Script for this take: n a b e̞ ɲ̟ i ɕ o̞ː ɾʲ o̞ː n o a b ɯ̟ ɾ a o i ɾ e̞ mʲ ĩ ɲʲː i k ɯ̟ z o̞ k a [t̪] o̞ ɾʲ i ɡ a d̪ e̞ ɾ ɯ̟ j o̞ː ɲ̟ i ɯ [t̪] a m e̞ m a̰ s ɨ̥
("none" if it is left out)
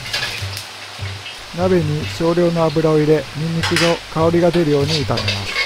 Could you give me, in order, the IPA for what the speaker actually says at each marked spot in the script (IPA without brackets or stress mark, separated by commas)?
none, t̪